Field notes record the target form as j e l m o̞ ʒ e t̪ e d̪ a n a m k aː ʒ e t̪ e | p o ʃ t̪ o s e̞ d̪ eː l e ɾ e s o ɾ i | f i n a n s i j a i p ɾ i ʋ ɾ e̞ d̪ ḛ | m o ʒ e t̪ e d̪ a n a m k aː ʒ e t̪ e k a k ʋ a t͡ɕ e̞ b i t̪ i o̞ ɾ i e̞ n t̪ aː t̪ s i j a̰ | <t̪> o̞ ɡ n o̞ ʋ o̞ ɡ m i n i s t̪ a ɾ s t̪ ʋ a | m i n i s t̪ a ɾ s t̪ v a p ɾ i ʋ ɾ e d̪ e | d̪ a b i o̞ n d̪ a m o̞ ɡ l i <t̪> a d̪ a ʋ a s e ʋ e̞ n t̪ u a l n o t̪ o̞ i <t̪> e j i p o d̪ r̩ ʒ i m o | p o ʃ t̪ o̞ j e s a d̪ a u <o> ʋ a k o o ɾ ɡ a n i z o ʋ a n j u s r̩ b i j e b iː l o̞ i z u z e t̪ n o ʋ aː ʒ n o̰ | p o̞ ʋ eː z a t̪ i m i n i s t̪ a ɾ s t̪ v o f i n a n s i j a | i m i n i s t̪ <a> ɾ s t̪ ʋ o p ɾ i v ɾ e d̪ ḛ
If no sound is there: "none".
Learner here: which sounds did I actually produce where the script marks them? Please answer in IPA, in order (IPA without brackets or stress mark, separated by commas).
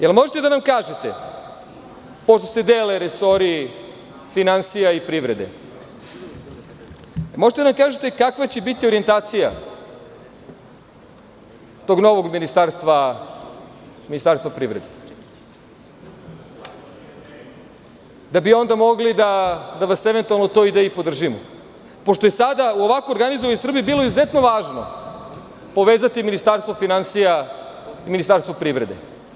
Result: t̪, d̪, d̪, o, a